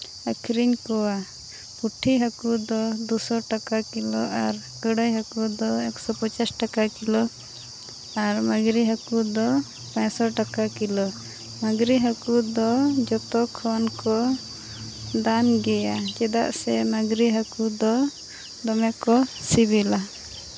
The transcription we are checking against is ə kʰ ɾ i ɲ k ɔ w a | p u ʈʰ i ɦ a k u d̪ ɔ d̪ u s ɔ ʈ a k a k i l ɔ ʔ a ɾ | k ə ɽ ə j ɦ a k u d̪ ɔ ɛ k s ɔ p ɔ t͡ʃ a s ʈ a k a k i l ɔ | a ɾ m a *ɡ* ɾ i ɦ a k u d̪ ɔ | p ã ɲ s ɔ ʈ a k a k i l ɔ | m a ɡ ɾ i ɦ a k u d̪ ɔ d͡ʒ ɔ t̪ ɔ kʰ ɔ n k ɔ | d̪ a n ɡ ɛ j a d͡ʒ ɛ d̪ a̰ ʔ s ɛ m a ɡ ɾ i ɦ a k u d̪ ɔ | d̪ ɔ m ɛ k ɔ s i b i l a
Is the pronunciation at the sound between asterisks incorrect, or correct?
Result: correct